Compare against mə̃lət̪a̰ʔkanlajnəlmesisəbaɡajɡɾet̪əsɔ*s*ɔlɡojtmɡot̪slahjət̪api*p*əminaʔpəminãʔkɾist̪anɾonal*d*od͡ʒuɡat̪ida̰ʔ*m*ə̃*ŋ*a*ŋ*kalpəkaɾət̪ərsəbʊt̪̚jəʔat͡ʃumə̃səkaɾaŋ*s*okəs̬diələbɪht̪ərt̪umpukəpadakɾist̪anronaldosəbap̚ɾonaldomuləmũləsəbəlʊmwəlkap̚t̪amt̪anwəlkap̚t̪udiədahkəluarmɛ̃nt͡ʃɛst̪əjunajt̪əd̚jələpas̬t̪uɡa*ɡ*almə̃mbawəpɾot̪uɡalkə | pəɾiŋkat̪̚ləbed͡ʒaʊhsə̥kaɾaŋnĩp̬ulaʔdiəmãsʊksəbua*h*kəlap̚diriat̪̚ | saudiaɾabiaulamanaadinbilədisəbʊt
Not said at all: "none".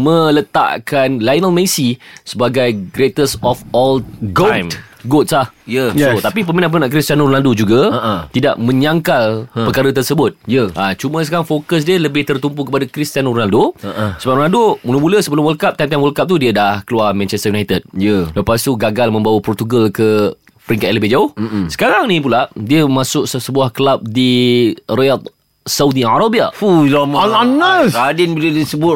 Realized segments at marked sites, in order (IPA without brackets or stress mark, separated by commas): f, p, d, m, ɲ, ŋ, f, ɡ, h